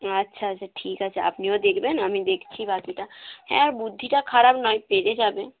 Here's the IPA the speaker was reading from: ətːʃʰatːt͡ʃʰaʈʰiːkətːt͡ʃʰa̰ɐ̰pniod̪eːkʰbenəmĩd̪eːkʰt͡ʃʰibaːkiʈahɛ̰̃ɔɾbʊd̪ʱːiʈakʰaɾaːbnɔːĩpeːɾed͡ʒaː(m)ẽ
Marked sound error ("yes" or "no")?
yes